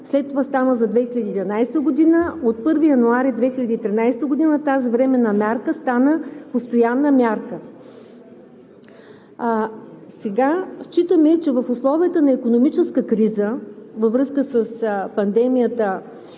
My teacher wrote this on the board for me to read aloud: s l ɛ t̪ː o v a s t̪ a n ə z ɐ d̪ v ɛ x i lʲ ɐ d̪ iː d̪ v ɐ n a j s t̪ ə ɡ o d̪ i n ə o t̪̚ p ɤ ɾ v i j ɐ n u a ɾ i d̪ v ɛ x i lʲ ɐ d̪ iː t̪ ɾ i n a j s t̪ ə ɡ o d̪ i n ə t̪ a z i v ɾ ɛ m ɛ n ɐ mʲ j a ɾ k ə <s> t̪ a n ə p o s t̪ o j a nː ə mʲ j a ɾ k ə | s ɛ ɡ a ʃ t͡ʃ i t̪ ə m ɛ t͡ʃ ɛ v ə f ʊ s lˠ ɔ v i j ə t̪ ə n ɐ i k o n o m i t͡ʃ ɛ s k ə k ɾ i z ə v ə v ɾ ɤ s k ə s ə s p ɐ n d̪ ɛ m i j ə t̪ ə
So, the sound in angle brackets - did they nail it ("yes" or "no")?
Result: yes